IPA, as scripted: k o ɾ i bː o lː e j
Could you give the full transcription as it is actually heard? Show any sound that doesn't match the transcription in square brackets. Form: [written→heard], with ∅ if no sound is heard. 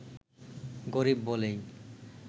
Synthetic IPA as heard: [k→ɡ] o ɾ i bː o [lː→l] e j